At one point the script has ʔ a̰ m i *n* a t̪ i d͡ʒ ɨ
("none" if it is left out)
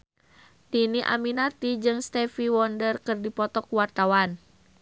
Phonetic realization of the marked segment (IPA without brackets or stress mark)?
n